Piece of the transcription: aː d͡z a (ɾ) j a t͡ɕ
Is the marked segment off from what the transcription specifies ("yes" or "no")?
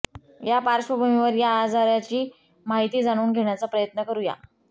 no